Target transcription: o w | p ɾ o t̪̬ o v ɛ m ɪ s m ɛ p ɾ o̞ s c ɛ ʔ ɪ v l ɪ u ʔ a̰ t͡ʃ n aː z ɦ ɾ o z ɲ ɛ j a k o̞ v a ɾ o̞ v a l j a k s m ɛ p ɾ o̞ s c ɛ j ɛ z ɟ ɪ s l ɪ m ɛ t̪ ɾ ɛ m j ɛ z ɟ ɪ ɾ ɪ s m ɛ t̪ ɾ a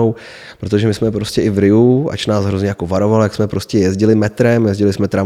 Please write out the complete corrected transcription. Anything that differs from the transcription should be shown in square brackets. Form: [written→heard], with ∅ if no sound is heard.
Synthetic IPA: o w | p ɾ o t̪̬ o [v→ʒ] ɛ m ɪ s m ɛ p ɾ o̞ s c ɛ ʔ ɪ v [l→ɾ] ɪ u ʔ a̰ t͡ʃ n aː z ɦ ɾ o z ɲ ɛ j a k o̞ v a ɾ o̞ v a l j a k s m ɛ p ɾ o̞ s c ɛ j ɛ z ɟ ɪ [s→∅] l ɪ m ɛ t̪ ɾ ɛ m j ɛ z ɟ ɪ [ɾ→l] ɪ s m ɛ t̪ ɾ a